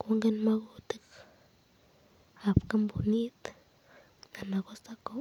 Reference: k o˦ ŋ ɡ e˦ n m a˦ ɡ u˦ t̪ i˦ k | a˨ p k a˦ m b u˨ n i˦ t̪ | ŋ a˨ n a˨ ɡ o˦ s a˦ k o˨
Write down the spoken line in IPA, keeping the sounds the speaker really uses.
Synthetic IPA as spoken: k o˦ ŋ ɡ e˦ n m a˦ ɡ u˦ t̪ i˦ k | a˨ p k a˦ m b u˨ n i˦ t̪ | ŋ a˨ n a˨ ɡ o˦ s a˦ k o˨